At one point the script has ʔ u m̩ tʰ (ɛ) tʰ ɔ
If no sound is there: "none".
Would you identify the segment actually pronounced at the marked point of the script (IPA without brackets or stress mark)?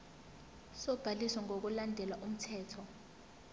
ɛː